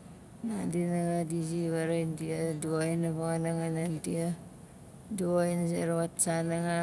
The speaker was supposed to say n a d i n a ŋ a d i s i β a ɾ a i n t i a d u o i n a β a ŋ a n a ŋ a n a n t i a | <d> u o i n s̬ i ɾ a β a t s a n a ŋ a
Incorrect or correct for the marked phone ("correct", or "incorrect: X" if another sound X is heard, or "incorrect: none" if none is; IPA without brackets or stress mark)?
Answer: correct